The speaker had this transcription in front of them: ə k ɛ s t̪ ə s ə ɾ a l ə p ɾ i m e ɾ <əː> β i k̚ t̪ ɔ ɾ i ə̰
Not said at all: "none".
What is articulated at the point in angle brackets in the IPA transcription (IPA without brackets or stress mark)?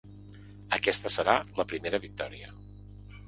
ə